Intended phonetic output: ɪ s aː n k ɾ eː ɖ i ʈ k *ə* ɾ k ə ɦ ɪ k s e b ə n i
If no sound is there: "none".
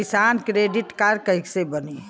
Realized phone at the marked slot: a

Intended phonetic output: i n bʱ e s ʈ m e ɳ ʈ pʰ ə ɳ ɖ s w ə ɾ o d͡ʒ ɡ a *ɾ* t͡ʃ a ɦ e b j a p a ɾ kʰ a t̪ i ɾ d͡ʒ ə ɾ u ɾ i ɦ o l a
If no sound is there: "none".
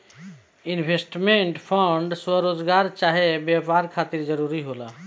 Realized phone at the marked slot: ɾ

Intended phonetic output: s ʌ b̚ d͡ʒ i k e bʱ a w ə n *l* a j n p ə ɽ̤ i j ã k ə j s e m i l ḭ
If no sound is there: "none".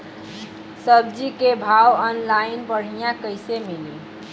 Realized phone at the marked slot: l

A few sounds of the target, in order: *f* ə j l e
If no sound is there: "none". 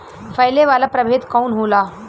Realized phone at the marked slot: f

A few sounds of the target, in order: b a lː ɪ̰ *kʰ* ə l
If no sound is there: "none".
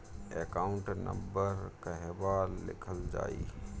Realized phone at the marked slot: kʰ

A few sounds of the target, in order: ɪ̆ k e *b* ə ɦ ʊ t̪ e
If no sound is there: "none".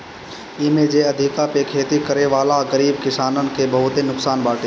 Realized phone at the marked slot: b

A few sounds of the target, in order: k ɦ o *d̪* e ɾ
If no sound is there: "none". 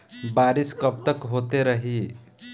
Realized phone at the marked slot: t̪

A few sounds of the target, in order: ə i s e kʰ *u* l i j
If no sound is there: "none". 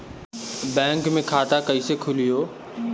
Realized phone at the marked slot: ʊ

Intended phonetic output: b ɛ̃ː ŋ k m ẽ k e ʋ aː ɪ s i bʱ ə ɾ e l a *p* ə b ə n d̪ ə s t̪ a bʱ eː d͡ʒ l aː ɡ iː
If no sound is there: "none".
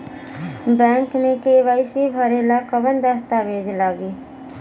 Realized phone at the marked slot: k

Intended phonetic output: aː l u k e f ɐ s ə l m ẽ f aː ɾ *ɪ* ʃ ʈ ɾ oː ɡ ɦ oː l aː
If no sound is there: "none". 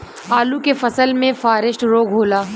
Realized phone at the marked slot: ɪ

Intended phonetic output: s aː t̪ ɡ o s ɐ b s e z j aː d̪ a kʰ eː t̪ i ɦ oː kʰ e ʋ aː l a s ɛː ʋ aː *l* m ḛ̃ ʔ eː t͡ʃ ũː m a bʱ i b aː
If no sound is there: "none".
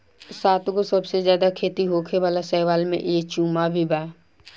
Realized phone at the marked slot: l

